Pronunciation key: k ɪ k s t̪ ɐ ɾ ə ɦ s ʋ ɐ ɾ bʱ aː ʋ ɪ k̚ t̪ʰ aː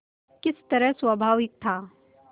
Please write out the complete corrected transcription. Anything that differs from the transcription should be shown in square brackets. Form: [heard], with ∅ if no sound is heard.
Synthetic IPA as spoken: k ɪ [∅] s t̪ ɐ ɾ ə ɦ s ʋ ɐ [∅] bʱ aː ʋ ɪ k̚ t̪ʰ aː